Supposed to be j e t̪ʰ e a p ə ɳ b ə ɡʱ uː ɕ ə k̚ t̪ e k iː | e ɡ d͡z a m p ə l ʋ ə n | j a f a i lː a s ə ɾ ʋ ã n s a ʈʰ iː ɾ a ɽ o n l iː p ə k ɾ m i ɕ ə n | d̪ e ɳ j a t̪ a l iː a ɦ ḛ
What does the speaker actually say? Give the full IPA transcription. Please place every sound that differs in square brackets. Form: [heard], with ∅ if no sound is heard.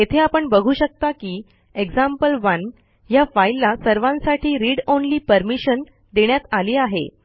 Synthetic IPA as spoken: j e t̪ʰ e a p ə ɳ b ə ɡʱ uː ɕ ə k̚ t̪ [a] k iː | e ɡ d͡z a m p ə l ʋ ə n | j a f a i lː a s ə ɾ ʋ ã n s a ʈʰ iː ɾ [i] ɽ o n l iː p ə [∅] ɾ m i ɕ ə n | d̪ e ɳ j a t̪ a l iː a ɦ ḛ